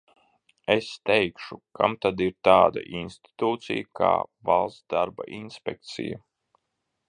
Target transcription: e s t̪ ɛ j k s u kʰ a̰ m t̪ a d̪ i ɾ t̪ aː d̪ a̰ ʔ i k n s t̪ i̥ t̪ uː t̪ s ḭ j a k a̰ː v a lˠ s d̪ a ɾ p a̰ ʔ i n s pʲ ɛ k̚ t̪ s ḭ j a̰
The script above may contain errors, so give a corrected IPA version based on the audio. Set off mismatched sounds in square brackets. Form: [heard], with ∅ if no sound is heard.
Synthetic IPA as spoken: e s t̪ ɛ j k [ʃ] u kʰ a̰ m t̪ a d̪ i ɾ t̪ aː d̪ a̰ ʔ i [∅] n s t̪ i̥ t̪ uː t̪ s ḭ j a k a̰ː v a lˠ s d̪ a ɾ [b] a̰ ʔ i n s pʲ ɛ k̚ t̪ s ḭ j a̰